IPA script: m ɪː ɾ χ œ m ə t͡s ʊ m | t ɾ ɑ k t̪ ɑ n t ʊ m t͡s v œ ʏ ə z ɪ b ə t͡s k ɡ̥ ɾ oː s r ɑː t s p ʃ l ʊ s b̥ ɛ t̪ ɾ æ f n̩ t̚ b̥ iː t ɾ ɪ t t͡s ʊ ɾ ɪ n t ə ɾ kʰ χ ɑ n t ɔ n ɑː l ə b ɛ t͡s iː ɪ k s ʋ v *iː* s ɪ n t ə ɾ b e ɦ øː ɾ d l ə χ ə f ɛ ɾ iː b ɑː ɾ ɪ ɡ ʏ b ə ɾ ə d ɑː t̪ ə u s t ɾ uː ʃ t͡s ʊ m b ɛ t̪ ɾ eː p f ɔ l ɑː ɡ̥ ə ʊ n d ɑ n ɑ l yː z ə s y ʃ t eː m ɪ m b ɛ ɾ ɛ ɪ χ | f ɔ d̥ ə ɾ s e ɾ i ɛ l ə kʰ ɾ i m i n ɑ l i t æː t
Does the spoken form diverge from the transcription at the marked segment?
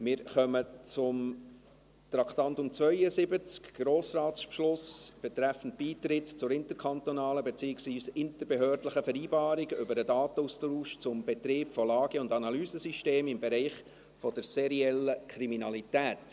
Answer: no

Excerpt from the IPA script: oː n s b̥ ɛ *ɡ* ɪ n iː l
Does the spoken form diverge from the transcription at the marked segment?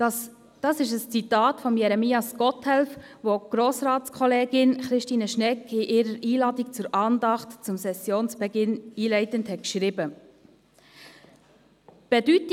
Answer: no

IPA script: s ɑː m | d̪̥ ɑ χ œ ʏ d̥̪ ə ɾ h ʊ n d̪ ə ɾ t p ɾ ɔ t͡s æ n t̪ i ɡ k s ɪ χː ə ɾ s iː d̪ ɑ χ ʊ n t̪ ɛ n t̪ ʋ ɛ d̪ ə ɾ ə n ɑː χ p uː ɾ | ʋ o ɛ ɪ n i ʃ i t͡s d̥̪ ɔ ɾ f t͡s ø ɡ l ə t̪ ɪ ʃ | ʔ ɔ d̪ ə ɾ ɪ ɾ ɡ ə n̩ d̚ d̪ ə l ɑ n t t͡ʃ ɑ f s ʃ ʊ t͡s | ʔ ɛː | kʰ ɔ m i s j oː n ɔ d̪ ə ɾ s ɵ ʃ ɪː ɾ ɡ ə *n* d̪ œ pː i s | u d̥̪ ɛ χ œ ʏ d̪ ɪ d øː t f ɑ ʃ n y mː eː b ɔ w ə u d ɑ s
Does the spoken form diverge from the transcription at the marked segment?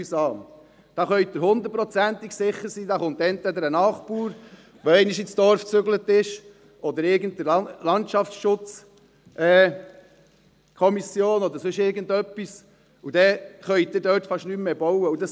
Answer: no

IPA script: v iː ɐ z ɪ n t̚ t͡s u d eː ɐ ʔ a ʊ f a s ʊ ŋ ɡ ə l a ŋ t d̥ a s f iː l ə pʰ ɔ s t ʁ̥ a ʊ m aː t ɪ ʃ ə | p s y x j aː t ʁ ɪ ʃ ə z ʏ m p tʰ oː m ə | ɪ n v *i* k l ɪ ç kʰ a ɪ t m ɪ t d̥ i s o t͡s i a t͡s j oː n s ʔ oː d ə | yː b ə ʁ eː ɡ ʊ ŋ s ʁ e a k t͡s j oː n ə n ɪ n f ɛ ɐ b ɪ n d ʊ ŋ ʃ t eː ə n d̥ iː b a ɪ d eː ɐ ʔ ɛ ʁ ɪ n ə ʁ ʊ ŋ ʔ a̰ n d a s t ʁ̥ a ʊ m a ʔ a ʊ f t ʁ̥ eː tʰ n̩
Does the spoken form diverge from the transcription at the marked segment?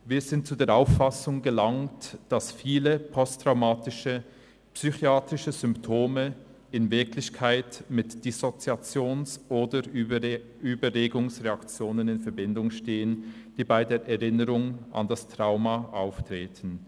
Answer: yes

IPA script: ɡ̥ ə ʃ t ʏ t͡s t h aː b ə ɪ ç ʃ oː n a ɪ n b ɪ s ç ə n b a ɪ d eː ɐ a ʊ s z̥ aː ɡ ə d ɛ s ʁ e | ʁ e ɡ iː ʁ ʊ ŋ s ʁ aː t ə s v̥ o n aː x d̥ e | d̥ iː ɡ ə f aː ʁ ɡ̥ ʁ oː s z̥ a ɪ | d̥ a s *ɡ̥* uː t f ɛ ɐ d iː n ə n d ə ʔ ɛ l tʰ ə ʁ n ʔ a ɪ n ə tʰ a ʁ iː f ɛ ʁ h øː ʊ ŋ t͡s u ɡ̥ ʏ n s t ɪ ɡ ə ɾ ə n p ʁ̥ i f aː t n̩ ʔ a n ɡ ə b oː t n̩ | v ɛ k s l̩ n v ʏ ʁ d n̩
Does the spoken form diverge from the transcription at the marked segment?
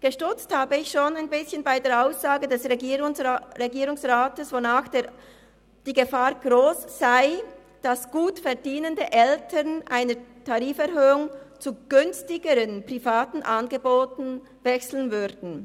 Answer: no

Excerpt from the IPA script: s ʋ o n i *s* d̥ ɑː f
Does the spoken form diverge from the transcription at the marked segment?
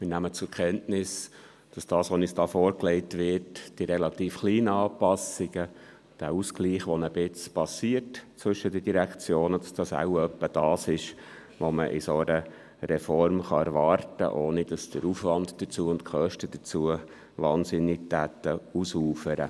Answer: no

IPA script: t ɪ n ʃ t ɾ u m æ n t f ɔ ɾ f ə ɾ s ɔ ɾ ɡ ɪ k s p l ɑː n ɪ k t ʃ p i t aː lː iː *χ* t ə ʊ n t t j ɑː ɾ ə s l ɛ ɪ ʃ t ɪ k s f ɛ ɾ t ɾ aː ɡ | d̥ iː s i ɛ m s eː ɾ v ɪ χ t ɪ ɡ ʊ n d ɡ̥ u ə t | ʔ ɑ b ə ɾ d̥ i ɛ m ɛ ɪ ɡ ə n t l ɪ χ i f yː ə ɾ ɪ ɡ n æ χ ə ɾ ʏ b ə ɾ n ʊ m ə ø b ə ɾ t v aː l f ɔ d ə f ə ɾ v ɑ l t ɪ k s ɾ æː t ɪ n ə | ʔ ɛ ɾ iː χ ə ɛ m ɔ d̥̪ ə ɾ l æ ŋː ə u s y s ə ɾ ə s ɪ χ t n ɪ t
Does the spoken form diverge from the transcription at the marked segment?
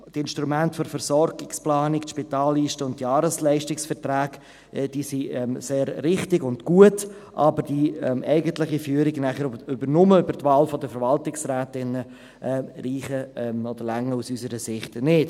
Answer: yes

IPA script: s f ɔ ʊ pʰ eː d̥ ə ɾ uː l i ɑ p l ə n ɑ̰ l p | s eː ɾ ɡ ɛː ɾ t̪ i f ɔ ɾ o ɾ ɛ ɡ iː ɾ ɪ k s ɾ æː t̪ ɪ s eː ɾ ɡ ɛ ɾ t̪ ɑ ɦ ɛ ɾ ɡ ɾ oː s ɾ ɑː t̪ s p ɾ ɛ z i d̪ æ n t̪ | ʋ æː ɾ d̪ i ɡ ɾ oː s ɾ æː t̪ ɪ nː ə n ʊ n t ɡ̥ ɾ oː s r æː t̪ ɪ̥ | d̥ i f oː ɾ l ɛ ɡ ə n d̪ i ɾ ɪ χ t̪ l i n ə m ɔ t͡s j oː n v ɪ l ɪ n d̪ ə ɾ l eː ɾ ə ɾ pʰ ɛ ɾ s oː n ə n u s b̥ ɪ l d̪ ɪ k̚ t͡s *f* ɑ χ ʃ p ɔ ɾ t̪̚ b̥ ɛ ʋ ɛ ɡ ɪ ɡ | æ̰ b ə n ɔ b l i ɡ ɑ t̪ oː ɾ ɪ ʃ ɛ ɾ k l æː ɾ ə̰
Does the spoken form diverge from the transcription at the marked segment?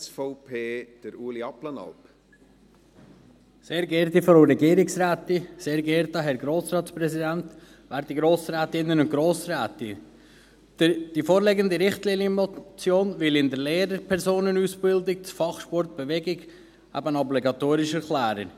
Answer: no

